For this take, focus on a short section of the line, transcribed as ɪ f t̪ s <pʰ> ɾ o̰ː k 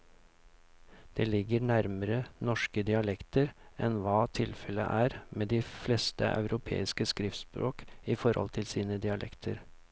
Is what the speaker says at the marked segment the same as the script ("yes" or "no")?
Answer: no